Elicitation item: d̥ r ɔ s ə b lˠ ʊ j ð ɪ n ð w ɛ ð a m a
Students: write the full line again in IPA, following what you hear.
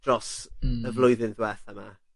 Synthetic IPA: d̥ r ɔ s ə v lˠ ʊ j ð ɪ n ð w ɛ θ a m a